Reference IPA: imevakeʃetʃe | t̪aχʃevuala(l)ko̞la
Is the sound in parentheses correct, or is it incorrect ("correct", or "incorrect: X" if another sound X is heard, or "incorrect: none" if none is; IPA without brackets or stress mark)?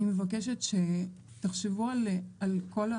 correct